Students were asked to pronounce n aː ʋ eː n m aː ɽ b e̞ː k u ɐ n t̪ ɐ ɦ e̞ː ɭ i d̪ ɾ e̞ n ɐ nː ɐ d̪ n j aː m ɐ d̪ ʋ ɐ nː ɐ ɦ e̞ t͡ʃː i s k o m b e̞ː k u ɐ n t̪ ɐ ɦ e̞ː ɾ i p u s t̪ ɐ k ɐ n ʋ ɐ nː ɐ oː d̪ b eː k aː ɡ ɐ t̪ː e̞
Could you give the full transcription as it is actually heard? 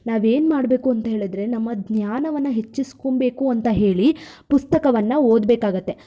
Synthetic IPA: n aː ʋ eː n m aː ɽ b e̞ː k u ɐ n t̪ ɐ ɦ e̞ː ɭ i d̪ ɾ e̞ n ɐ mː ɐ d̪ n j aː n ɐ ʋ ɐ nː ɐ ɦ e̞ t͡ʃː i s k o m b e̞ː k u ɐ n t̪ ɐ ɦ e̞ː ɭ i p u s t̪ ɐ k ɐ ʋ ɐ nː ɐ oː d̪ b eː k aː ɡ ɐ t̪ː e̞